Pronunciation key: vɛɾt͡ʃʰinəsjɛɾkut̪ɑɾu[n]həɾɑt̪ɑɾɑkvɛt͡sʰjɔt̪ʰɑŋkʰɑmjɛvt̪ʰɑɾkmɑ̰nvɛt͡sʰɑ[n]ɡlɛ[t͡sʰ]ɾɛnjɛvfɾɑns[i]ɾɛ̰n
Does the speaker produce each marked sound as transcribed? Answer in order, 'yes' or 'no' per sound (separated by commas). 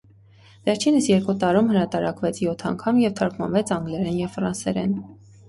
no, no, no, no